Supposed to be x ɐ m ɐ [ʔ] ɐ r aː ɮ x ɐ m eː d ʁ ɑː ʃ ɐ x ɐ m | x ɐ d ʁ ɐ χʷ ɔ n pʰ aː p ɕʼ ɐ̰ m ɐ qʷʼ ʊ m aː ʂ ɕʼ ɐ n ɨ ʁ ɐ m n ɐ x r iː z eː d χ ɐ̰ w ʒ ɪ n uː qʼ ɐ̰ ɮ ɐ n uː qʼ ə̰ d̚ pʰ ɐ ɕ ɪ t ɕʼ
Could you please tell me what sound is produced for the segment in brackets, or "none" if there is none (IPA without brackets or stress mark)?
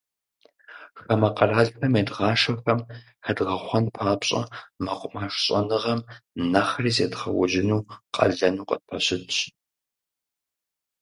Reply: q